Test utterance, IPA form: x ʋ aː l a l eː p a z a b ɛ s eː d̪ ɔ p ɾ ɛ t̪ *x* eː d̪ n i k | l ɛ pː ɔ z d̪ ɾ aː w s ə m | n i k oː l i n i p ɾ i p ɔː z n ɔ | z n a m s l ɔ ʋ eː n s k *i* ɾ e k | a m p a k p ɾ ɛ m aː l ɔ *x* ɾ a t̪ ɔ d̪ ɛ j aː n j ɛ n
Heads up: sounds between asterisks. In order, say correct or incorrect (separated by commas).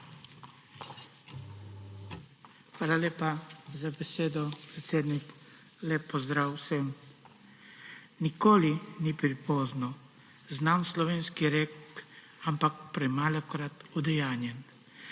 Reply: incorrect, correct, incorrect